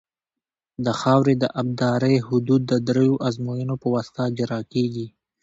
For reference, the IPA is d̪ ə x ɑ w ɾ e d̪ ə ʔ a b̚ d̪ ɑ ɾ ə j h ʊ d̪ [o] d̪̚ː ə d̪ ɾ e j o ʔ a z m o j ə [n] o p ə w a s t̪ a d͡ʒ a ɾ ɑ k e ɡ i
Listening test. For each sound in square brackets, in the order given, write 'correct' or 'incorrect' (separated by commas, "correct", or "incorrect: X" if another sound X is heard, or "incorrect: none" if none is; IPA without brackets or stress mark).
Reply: incorrect: u, correct